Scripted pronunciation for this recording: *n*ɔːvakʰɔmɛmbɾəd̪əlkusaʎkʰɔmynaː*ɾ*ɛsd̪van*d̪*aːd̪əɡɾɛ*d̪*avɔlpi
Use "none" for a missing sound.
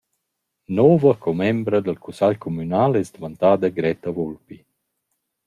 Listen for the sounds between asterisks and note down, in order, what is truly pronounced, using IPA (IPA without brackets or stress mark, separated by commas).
n, l, t̪, t̪